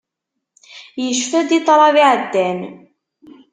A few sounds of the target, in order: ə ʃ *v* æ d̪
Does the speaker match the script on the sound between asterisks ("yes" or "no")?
no